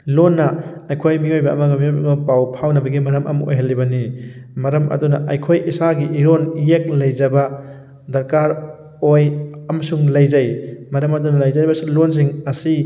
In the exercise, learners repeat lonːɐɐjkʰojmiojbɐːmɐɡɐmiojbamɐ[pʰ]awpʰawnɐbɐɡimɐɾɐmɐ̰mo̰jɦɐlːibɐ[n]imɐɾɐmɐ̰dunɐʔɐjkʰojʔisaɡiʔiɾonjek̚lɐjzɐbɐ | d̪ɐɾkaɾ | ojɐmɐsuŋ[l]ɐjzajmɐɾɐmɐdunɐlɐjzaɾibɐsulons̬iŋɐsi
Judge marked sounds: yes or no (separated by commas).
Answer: no, yes, yes